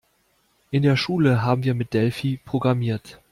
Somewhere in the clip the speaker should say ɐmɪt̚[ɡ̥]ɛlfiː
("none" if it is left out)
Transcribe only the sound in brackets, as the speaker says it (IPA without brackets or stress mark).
d̥